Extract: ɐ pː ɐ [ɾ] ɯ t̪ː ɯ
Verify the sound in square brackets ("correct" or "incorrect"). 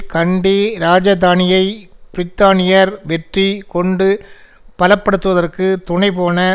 incorrect